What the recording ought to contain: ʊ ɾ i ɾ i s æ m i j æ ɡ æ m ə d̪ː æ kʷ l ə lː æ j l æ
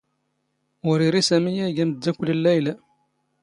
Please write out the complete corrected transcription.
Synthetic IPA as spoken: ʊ ɾ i ɾ i s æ m i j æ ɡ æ m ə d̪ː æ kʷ l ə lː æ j l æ

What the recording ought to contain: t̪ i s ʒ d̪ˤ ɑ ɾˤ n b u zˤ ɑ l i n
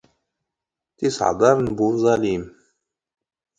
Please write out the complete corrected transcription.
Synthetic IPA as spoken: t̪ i s ʕ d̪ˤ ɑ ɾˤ n b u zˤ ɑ l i m

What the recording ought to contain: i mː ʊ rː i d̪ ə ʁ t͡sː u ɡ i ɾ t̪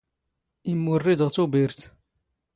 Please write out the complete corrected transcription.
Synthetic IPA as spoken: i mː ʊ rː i d̪ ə ʁ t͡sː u b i ɾ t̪

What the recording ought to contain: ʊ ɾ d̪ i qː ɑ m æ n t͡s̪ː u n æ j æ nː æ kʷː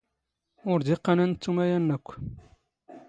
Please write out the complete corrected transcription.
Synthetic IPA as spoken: ʊ ɾ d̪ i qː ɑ n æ n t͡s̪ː u m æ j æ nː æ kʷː

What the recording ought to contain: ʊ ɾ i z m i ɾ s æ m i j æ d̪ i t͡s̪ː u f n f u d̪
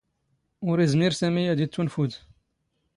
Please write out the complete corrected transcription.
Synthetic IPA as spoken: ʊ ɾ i z m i ɾ s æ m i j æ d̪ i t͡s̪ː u n f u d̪

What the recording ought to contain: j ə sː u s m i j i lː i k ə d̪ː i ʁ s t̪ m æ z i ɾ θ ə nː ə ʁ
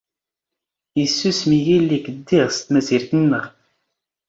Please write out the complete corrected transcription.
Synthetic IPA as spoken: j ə sː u s m i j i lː i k ə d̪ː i ʁ s t̪ m æ z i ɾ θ ə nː ə ʁ

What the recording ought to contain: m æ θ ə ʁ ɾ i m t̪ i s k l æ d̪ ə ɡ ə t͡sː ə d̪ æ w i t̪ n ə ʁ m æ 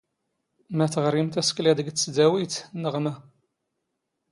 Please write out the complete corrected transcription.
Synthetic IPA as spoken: m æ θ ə ʁ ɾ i m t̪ æ s k l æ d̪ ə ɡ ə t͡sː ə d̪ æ w i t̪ n ə ʁ m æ

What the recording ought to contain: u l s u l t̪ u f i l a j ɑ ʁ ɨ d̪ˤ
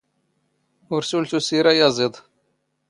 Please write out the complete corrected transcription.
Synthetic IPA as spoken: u ɾ s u l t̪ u s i ɾ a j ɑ z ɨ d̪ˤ

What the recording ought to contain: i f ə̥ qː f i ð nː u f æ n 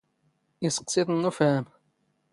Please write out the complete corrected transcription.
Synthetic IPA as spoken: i s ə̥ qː s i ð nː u f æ m

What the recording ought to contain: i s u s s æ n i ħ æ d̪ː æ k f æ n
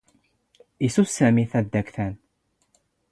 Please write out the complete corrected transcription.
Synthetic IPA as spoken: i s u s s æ m i θ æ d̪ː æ k θ æ n

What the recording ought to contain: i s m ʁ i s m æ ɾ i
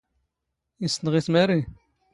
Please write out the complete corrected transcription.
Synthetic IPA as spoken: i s n ʁ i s m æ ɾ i

